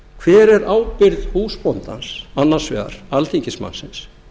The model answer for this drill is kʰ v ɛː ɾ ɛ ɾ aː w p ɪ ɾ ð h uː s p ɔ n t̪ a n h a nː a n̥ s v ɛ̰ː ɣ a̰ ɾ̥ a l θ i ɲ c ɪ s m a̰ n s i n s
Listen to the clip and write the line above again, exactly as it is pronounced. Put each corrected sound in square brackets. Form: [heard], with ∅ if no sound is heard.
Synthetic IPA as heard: kʰ v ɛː ɾ ɛ ɾ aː w p ɪ ɾ ð h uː s p ɔ n t̪ a n [s] a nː a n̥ s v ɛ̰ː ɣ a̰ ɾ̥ a l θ i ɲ c ɪ s m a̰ n s [ɪ] n s